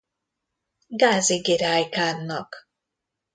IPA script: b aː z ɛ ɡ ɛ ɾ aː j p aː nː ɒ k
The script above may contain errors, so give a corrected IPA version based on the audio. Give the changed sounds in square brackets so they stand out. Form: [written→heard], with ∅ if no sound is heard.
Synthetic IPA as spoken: [b→ɡ] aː z [ɛ→i] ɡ [ɛ→i] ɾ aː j [p→k] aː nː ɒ k